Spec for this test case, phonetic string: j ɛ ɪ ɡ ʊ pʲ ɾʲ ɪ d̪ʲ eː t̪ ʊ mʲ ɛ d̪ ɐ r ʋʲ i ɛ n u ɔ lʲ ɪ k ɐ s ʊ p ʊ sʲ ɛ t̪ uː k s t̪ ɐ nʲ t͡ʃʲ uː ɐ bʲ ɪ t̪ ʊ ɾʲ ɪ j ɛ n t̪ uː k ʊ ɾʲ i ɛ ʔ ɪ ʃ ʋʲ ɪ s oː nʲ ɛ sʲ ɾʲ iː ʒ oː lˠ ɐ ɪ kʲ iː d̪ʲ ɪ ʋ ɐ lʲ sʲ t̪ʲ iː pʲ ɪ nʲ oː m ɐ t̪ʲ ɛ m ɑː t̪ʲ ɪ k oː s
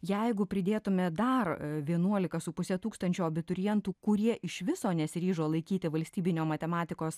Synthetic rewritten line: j ɛ ɪ ɡ ʊ pʲ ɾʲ ɪ d̪ʲ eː t̪ ʊ mʲ ɛ d̪ ɐ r ʋʲ i ɛ n u ɔ lʲ ɪ k ɐ s ʊ p ʊ sʲ ɛ t̪ uː k s t̪ ɐ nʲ t͡ʃʲ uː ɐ bʲ ɪ t̪ ʊ ɾʲ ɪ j ɛ n t̪ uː k ʊ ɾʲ i ɛ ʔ ɪ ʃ ʋʲ ɪ s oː nʲ ɛ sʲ ɾʲ iː ʒ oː lˠ ɐ ɪ kʲ iː t̪ʲ ɪ ʋ ɐ lʲ sʲ t̪ʲ iː bʲ ɪ nʲ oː m ɐ t̪ʲ ɛ m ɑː t̪ʲ ɪ k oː s